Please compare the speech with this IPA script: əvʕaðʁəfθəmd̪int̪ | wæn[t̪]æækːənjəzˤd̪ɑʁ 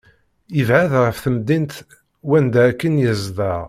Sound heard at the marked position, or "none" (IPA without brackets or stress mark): d̪